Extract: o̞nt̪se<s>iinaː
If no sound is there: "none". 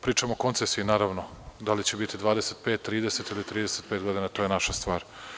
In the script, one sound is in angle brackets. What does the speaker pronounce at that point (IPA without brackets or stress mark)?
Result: s